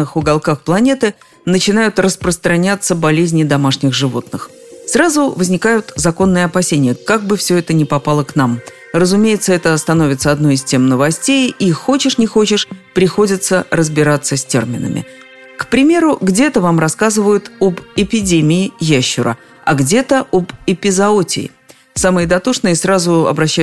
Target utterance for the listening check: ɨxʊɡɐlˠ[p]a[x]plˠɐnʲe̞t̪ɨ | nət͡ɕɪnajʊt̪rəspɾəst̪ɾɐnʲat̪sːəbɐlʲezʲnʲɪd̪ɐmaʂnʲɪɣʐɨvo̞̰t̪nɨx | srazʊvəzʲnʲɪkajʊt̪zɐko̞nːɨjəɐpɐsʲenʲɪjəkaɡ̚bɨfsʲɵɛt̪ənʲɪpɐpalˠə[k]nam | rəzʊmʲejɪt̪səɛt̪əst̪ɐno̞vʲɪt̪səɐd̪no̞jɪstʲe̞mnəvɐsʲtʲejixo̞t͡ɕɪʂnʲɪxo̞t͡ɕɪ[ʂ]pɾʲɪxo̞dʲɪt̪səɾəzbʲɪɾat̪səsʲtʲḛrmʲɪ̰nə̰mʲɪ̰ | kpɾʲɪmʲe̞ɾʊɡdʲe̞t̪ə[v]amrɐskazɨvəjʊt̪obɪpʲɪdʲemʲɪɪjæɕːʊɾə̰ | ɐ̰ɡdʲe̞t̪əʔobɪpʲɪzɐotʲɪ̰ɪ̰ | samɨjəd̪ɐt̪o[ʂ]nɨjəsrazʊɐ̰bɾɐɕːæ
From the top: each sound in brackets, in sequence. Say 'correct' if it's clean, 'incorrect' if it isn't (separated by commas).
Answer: incorrect, correct, correct, correct, correct, correct